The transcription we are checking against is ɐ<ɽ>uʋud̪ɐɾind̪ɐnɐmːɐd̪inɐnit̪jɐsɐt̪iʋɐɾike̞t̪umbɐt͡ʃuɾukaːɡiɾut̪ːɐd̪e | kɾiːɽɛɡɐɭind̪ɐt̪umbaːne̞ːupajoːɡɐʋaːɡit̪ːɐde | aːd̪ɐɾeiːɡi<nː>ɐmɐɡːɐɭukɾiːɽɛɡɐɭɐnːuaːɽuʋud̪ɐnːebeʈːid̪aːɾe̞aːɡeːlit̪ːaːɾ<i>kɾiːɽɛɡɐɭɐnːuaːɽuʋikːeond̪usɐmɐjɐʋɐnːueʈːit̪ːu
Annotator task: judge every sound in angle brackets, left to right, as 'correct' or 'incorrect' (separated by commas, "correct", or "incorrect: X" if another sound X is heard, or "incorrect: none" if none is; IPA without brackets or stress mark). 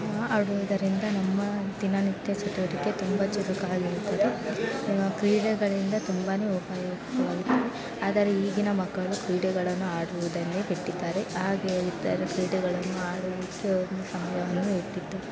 correct, incorrect: n, incorrect: e